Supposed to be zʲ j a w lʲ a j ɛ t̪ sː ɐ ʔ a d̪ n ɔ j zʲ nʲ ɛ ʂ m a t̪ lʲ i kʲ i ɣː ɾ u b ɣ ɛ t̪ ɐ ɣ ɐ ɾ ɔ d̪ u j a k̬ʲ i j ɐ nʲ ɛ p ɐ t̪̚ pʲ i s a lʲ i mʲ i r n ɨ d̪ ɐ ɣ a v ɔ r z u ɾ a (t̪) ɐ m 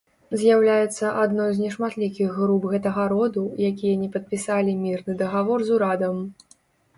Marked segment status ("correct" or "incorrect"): incorrect